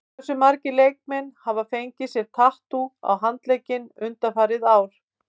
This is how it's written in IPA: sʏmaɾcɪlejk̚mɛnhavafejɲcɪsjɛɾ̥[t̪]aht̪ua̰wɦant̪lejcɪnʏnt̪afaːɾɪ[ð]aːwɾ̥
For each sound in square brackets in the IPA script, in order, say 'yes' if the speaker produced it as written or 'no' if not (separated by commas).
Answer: no, yes